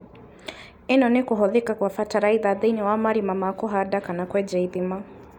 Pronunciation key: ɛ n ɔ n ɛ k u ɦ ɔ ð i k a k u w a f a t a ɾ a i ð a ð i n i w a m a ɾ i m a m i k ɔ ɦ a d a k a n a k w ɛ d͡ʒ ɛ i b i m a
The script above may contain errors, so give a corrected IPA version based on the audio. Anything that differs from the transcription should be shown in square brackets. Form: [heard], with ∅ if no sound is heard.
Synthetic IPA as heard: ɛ n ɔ n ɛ k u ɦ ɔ ð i k a k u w a f a t a ɾ a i ð a ð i n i w a m a ɾ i m a m [a] k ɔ ɦ a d a k a n a k w ɛ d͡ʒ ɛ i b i m a

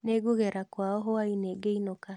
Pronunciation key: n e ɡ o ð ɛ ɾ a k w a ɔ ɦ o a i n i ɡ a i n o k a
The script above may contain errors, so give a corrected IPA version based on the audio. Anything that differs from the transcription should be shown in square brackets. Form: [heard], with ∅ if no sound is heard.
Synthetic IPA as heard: n e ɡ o [ɣ] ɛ ɾ a k w a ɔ ɦ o a i n [e] ɡ [e] i n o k a

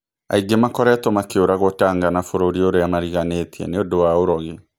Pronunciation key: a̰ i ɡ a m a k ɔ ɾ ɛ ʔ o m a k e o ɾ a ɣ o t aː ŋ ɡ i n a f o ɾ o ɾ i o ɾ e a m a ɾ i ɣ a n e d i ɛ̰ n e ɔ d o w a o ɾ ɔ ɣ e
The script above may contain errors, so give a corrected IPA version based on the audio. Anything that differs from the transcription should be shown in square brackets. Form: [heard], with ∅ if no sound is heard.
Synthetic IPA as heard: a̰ i ɡ [e] m a k ɔ ɾ ɛ [t] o m a k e o ɾ a ɣ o t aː ŋ ɡ [a] n a f o ɾ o ɾ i o ɾ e a m a ɾ i ɣ a n e [t] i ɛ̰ n e [o] d o w a o ɾ ɔ ɣ e

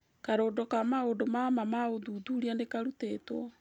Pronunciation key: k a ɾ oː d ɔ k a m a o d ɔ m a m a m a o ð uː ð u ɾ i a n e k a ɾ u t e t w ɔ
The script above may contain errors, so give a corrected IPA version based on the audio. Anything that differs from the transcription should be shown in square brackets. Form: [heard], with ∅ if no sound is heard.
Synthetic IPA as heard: k a ɾ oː d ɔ k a m a o d [o] m a m a m a o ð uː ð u ɾ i a n e k a ɾ u t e t w ɔ

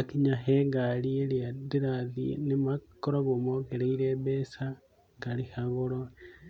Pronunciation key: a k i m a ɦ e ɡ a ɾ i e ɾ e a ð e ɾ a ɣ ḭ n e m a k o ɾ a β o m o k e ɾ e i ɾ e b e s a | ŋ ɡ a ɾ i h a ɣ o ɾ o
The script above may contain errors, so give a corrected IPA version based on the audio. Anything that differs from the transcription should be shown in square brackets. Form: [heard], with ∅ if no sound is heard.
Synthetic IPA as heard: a k i [ɲ] a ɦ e ɡ a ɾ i e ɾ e a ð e ɾ a [ð] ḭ n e m a k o ɾ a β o m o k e ɾ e i ɾ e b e s a | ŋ ɡ a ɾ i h a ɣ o ɾ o

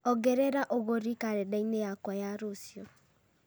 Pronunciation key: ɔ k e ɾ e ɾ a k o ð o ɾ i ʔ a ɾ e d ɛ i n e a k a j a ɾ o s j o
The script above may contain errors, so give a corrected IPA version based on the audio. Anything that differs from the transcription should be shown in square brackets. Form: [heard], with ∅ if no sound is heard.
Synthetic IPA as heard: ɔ [ɡ] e ɾ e ɾ a [ʔ] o [ɣ] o ɾ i [k] a ɾ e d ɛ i n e a k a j a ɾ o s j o

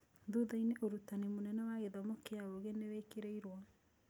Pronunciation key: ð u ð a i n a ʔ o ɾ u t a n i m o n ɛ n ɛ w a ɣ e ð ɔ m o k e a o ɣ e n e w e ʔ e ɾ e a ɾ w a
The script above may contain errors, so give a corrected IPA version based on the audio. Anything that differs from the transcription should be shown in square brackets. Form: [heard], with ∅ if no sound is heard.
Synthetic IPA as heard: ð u ð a i n [e] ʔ o ɾ u t a n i m o n ɛ n ɛ w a ɣ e ð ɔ m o k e a o ɣ e n e w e [k] e ɾ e [i] ɾ w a

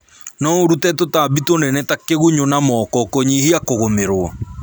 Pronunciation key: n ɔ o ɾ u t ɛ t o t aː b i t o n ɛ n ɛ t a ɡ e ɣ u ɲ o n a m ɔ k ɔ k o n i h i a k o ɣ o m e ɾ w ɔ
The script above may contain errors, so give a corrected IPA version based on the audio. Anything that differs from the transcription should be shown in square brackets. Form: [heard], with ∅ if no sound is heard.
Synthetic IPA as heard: n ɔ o ɾ u t ɛ t o t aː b i t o n ɛ n ɛ t a [k] e ɣ u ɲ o n a m ɔ k ɔ k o [ɲ] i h i a k o ɣ o m e ɾ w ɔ

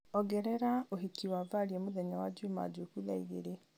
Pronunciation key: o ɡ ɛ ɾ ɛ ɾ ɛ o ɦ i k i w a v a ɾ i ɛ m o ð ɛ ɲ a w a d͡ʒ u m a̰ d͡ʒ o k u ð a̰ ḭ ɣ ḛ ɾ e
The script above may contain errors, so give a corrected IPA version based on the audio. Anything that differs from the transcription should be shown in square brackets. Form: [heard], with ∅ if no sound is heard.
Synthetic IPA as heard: [ɔ] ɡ ɛ ɾ ɛ ɾ [a] o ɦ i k i w a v a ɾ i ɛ m o ð ɛ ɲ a w a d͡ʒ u m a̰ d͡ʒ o k u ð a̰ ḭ ɣ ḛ ɾ e

